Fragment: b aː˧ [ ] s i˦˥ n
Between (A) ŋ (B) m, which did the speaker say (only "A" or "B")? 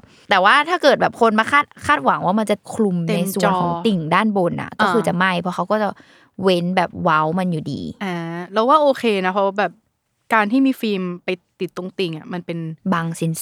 A